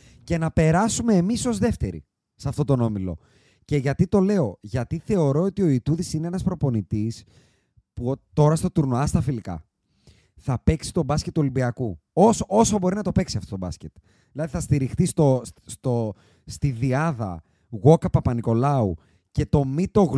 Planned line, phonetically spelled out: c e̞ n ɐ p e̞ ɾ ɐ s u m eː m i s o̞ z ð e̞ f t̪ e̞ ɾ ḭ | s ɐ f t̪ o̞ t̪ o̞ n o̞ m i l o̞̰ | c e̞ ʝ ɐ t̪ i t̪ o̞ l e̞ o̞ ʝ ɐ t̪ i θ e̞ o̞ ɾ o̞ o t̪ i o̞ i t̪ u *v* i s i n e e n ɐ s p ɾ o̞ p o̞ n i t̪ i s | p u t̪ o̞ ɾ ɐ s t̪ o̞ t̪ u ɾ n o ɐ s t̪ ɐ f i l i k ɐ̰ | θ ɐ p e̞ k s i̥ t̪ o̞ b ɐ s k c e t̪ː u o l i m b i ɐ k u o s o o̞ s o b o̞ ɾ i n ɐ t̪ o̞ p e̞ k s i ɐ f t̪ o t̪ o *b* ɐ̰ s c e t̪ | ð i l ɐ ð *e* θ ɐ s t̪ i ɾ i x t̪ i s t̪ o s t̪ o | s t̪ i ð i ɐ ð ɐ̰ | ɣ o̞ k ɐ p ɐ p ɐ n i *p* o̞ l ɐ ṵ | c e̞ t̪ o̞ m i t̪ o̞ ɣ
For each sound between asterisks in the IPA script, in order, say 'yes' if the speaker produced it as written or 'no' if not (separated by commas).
no, yes, no, no